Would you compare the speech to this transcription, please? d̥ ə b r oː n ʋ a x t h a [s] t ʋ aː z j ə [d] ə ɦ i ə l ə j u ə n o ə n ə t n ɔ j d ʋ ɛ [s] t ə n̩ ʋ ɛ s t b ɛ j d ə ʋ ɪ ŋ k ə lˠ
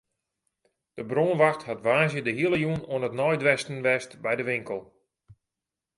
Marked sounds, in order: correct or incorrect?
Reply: incorrect, correct, correct

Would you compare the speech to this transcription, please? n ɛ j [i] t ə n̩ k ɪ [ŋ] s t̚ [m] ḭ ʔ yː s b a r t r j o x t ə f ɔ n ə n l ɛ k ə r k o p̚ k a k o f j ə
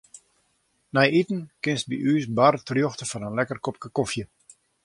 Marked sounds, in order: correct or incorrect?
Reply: correct, incorrect, incorrect

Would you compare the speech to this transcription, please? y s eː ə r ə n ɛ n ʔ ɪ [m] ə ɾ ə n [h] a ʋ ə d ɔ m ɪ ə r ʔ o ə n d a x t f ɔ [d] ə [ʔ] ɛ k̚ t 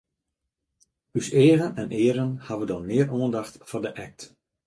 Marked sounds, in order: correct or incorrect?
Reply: incorrect, correct, correct, correct

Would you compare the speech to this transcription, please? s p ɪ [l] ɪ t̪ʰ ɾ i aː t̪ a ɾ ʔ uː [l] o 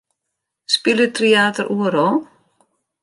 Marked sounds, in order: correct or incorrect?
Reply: correct, incorrect

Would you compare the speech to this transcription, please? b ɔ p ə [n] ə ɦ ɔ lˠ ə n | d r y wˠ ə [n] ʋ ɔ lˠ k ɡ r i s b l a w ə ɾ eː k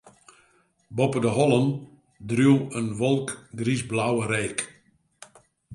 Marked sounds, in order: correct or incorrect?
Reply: incorrect, correct

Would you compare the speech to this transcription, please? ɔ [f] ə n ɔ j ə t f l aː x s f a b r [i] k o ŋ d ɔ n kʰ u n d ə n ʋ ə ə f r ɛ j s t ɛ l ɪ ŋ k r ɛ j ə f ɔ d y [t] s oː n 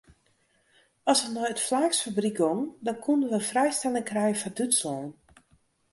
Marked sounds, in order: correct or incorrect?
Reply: incorrect, correct, correct

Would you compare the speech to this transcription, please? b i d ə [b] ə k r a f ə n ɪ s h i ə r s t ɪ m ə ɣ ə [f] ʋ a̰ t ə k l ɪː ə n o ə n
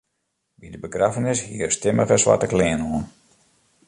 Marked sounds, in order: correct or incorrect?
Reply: correct, incorrect

